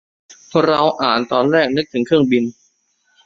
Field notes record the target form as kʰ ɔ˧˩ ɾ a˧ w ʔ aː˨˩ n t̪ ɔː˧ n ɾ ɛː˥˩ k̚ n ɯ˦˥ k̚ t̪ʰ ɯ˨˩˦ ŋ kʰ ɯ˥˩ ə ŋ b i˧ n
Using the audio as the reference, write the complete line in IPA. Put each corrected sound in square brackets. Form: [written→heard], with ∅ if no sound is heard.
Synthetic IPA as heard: [kʰ→pʰ] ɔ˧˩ ɾ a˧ w ʔ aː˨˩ n t̪ ɔː˧ n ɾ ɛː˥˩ k̚ n ɯ˦˥ k̚ t̪ʰ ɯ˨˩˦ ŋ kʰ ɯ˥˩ ə ŋ b i˧ n